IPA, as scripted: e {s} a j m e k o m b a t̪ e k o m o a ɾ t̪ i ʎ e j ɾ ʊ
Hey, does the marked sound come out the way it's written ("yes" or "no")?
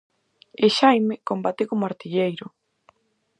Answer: no